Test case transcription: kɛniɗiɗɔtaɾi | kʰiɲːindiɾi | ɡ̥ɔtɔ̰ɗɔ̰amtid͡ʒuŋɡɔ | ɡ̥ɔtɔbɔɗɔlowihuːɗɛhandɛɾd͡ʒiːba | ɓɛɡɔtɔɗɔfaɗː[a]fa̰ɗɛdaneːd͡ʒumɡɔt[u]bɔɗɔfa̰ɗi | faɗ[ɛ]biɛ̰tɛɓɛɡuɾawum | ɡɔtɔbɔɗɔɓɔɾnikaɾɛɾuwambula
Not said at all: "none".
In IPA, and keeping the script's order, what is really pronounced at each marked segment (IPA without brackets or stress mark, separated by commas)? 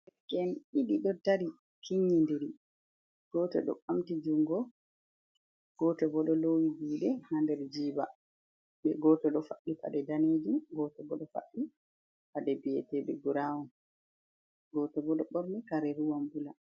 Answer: i, ɔ, ɛ